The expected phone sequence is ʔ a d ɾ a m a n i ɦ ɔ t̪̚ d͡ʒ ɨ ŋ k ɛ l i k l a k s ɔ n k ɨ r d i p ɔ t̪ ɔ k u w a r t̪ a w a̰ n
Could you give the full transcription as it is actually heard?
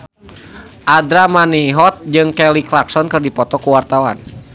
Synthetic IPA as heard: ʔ a d ɾ a m a n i ɦ ɔ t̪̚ d͡ʒ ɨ ŋ k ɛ l i k l a k s ɔ n k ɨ r d i p ɔ t̪ ɔ k u w a r t̪ a w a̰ n